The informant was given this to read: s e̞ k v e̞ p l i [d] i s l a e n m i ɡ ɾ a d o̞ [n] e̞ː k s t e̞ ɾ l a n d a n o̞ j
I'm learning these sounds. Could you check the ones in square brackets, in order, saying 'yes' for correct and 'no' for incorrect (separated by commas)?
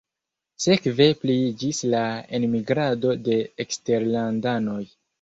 no, no